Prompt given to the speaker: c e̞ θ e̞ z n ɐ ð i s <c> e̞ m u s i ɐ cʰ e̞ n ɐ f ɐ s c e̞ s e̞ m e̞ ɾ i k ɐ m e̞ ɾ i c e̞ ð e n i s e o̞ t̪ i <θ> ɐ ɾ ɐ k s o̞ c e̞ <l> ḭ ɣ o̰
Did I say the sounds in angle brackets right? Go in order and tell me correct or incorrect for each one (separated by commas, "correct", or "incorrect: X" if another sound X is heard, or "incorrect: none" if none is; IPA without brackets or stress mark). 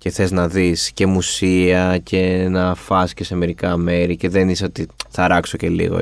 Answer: correct, correct, correct